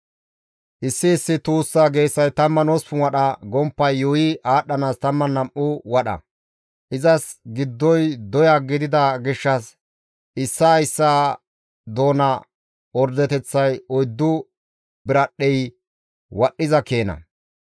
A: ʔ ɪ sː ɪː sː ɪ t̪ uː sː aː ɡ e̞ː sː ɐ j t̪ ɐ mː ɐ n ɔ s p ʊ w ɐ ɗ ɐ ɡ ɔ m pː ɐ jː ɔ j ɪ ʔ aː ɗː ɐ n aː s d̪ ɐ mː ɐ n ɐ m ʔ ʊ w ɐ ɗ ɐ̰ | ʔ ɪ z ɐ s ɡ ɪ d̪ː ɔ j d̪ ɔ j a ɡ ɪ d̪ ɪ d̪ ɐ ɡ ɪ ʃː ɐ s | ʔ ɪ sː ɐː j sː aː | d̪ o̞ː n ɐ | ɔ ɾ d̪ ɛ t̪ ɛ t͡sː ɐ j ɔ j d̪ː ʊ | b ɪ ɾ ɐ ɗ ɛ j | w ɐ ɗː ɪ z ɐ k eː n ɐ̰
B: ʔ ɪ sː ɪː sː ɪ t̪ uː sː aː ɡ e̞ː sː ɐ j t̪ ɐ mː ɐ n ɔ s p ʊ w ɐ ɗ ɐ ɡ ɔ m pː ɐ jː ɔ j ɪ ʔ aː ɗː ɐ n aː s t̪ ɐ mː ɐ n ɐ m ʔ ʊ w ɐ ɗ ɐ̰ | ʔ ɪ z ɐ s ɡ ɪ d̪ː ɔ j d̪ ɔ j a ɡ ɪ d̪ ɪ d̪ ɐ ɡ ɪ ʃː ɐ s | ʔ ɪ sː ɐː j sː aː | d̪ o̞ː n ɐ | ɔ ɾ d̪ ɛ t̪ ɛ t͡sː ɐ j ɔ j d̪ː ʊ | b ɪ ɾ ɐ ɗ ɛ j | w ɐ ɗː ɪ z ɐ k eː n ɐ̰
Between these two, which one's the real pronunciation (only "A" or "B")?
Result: B